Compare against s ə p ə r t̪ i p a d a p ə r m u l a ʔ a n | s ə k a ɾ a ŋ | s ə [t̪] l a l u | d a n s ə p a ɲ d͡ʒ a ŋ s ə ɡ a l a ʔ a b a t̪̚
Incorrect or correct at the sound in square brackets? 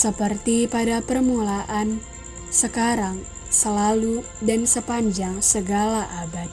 incorrect: none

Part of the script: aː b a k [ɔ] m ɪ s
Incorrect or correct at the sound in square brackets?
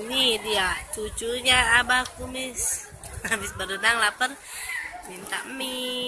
incorrect: u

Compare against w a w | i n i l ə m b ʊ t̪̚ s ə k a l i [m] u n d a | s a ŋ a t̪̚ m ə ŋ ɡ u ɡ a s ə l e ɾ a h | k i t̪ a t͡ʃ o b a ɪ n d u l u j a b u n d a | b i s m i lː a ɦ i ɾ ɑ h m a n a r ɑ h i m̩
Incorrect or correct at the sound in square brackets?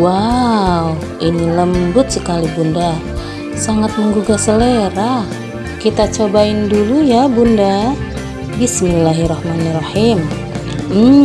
incorrect: b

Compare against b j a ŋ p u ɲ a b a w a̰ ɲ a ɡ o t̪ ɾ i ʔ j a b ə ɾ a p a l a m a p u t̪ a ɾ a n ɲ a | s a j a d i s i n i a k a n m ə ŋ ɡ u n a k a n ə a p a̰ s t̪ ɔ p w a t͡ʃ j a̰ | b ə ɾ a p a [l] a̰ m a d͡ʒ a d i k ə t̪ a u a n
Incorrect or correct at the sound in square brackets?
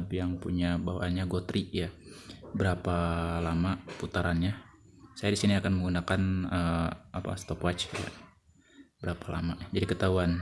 correct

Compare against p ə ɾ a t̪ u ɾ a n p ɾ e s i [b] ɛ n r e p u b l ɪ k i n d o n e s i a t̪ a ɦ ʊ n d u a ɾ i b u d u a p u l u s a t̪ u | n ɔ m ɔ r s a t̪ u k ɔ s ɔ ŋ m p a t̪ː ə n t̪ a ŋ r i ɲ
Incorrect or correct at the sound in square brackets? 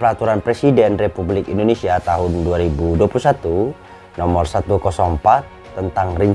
incorrect: d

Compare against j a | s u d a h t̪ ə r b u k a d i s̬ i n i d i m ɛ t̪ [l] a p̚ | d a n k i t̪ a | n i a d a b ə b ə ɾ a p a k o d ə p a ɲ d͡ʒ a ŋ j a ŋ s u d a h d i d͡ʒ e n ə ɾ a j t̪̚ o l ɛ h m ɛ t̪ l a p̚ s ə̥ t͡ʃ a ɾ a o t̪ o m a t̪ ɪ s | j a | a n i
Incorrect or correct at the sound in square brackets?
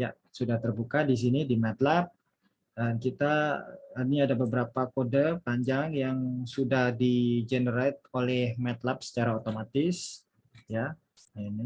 correct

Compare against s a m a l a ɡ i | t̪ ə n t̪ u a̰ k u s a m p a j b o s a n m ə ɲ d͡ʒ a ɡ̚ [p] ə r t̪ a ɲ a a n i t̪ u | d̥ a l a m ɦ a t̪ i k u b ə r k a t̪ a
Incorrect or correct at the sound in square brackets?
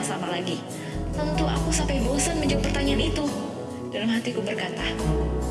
correct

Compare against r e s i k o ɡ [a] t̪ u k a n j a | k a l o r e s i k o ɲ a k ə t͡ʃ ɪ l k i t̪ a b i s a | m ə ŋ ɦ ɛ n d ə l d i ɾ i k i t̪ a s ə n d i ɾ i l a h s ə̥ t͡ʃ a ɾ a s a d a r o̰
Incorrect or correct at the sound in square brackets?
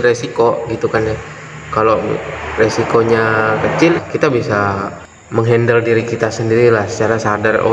incorrect: i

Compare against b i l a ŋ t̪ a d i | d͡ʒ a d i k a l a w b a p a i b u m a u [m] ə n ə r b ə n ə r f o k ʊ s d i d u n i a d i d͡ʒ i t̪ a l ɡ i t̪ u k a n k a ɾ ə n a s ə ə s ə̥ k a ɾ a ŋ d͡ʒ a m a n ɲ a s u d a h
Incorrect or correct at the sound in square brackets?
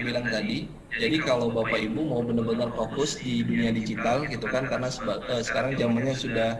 incorrect: b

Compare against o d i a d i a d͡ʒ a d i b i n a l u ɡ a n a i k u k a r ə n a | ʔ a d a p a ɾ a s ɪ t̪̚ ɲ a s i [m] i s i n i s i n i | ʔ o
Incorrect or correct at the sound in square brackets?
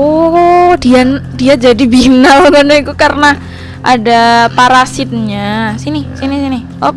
incorrect: n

